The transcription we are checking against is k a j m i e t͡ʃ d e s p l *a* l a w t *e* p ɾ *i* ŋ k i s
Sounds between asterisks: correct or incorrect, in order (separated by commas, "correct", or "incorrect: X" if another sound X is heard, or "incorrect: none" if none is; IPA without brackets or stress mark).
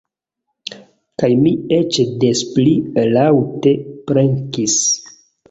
incorrect: i, correct, incorrect: e